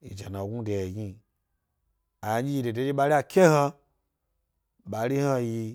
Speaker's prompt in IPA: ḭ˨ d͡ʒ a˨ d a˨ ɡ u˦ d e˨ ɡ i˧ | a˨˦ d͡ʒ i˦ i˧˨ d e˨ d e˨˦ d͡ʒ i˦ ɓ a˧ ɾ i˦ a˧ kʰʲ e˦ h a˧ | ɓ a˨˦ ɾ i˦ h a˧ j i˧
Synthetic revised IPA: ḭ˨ d͡ʒ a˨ n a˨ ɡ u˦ d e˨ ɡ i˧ | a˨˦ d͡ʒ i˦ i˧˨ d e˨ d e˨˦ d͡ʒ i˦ ɓ a˧ ɾ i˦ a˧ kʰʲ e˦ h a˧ | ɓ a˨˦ ɾ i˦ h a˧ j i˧